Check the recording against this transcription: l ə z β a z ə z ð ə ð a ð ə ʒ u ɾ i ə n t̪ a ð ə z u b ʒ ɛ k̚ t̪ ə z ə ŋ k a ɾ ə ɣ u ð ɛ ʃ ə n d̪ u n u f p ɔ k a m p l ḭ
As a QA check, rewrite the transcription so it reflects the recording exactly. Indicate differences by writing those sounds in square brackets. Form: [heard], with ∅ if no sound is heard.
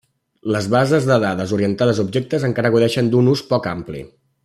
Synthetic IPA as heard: l ə z β a z ə z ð ə ð a ð ə [z] u ɾ i ə n t̪ a ð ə z u b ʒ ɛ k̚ t̪ ə z ə ŋ k a ɾ ə ɣ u ð ɛ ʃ ə n d̪ u n u [s] p ɔ k a m p l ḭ